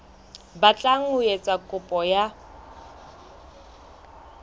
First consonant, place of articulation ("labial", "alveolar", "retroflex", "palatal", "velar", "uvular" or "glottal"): labial